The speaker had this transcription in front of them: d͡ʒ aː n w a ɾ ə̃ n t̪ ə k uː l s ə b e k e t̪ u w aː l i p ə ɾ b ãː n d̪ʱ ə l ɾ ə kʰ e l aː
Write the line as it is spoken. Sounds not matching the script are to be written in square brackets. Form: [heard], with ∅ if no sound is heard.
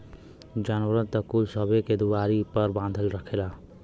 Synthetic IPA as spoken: d͡ʒ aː n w [ə] ɾ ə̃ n t̪ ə k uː l s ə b e k e [d̪] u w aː [ɾ] i p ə ɾ b ãː n d̪ʱ ə l ɾ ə kʰ e l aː